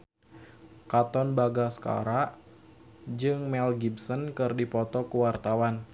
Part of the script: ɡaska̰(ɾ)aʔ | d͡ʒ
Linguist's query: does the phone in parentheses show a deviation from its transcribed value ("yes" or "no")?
no